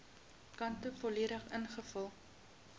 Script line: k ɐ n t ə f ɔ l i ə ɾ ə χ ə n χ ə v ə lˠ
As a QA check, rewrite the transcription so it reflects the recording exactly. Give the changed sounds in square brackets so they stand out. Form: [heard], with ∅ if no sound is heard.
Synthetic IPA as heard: k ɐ n t ə f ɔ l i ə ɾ ə χ ə n χ ə [f] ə lˠ